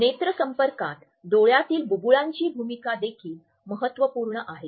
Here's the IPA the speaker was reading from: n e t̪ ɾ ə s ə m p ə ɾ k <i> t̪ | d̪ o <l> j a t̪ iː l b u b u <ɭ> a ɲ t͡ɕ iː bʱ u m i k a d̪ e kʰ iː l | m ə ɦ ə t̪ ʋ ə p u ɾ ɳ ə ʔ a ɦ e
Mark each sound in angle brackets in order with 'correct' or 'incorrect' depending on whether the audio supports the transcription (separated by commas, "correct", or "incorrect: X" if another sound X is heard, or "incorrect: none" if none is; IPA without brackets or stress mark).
incorrect: a, incorrect: ɭ, correct